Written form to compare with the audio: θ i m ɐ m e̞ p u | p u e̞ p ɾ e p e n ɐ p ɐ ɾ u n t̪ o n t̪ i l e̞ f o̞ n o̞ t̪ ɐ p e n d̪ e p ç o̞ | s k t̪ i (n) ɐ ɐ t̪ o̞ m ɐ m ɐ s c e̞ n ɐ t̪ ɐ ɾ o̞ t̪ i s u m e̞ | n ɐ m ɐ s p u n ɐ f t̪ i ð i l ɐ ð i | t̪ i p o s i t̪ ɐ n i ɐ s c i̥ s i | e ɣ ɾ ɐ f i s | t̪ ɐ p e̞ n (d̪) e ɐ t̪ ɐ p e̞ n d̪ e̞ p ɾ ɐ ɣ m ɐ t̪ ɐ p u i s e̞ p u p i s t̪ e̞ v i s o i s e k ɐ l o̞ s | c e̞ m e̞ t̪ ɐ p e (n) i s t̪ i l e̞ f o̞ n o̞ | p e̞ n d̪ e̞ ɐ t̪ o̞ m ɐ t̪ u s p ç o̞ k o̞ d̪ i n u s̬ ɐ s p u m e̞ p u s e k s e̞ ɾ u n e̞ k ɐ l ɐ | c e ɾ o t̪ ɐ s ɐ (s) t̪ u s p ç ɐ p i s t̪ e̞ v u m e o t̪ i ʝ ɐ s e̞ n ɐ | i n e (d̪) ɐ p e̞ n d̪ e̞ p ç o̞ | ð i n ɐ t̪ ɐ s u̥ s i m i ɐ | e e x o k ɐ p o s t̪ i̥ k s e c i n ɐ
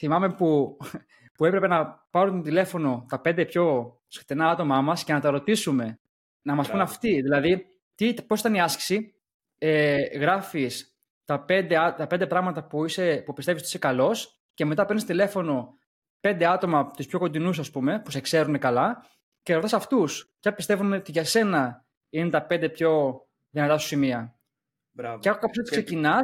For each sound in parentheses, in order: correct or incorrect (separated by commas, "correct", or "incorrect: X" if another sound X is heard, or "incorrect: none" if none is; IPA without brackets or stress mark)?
correct, correct, correct, incorrect: f, incorrect: t̪